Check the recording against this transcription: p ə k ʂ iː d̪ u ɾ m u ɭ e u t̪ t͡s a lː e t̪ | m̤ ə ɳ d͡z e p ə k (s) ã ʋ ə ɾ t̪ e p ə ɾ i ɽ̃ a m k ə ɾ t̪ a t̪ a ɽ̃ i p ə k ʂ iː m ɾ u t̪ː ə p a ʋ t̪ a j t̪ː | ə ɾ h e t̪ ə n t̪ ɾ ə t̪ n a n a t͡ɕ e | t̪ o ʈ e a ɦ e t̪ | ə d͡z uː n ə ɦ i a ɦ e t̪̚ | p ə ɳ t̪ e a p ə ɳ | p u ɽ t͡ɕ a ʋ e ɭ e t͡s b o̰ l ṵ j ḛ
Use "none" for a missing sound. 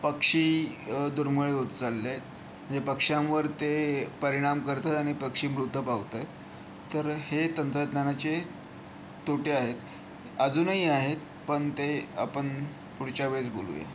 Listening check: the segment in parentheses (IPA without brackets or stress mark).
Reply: ʂ